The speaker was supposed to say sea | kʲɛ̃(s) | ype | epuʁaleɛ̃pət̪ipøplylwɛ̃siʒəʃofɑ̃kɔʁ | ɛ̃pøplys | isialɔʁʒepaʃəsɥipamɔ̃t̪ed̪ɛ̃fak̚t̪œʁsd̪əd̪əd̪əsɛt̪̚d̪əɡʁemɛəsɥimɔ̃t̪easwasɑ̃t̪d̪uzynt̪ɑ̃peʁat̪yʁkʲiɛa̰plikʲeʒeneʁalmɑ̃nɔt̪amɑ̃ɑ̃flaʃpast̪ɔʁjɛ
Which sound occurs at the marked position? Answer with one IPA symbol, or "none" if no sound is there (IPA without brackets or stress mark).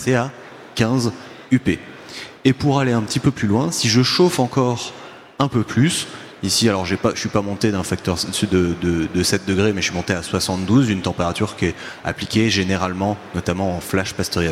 z